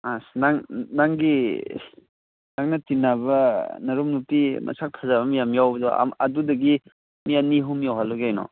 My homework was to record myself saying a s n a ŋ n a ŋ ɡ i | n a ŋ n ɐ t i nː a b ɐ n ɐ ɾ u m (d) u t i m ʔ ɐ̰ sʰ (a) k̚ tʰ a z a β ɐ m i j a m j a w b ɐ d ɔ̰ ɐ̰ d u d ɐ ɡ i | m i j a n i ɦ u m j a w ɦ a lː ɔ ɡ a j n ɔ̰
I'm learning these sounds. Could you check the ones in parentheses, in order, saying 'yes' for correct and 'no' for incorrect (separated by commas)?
no, yes